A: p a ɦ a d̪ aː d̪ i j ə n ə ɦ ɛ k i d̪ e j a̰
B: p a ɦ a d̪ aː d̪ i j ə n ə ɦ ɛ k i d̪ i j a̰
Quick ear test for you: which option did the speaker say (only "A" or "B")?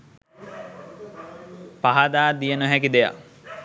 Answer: A